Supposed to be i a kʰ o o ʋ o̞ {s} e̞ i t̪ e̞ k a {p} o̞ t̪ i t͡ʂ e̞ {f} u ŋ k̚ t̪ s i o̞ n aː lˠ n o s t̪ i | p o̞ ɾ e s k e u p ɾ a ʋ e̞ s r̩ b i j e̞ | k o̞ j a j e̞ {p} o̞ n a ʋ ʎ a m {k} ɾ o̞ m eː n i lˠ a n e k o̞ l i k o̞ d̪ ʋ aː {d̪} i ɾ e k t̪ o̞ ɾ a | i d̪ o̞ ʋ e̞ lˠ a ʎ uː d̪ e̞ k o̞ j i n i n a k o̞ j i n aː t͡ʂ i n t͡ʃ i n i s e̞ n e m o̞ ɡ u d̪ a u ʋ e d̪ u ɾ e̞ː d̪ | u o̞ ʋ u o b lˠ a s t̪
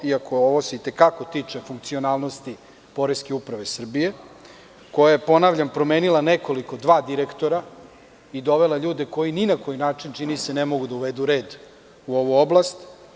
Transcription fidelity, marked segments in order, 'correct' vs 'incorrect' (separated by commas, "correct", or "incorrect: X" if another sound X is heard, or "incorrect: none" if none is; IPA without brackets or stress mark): correct, incorrect: k, correct, correct, incorrect: p, correct